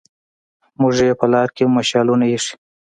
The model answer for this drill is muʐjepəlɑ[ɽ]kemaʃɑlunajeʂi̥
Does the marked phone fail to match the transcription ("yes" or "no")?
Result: yes